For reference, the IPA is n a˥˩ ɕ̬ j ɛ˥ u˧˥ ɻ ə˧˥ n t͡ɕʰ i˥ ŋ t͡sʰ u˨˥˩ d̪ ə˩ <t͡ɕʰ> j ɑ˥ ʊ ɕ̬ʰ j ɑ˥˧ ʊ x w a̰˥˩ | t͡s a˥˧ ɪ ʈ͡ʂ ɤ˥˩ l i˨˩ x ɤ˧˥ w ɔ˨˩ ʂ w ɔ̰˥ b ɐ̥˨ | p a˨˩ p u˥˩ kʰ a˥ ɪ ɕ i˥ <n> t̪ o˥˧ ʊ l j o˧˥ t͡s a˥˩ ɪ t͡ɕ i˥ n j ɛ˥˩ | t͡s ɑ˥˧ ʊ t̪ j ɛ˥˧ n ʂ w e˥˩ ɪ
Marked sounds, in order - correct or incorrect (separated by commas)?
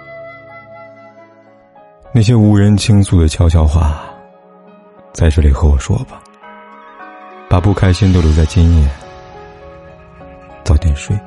correct, correct